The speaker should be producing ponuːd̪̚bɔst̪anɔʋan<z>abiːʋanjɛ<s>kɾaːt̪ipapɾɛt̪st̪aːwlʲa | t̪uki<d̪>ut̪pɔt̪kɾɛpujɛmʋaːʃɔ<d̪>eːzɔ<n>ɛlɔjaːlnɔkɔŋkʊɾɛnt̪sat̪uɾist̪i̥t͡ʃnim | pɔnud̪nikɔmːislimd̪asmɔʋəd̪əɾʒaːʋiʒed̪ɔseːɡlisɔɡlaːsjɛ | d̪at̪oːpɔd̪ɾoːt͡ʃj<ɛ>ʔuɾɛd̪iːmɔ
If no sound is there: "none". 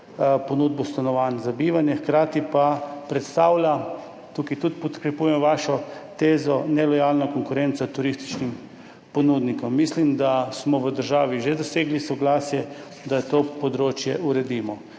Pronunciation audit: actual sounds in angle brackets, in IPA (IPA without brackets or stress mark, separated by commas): z, x, t̪, t̪, n, ɛ